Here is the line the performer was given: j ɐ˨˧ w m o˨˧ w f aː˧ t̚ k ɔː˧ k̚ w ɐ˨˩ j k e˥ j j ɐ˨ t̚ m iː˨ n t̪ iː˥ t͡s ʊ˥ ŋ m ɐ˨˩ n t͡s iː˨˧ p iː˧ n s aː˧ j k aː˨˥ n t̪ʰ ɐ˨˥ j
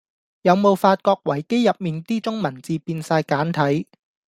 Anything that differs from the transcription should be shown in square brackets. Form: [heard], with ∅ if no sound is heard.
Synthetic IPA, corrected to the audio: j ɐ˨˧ w m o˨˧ w f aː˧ t̚ k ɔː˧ k̚ w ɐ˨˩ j k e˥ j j ɐ˨ [p̚] m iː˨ n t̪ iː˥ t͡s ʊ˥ ŋ m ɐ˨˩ n t͡s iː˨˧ p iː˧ n s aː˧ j k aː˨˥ n t̪ʰ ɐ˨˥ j